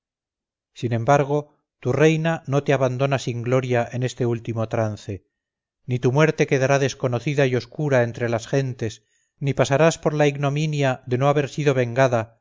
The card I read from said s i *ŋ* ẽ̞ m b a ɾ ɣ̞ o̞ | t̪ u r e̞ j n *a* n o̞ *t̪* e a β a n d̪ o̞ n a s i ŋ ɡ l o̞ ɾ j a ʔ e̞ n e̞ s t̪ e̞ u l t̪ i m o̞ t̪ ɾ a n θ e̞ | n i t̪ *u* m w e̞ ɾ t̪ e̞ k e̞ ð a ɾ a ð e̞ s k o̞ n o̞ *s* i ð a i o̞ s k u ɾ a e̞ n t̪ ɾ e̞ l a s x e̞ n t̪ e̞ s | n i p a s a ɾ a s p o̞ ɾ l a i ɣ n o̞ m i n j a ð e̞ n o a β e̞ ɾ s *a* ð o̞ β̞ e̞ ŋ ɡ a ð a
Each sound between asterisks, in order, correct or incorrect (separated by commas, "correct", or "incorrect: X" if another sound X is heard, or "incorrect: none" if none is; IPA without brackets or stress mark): incorrect: n, correct, correct, correct, incorrect: θ, incorrect: i